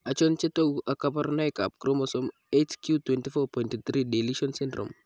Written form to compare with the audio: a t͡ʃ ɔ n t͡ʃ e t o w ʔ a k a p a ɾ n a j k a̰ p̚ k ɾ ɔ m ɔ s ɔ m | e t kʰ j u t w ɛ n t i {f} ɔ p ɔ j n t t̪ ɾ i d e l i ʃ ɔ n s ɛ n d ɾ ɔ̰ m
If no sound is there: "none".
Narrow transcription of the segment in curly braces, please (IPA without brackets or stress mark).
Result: f